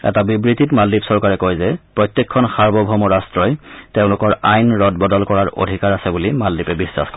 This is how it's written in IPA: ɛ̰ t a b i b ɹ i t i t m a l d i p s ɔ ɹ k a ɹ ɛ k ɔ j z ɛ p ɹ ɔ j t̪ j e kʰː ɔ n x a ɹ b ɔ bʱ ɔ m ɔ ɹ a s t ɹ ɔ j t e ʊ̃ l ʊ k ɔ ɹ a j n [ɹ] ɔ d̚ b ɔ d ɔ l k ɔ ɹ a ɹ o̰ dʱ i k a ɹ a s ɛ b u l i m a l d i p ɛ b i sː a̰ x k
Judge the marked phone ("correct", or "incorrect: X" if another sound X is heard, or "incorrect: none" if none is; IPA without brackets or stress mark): correct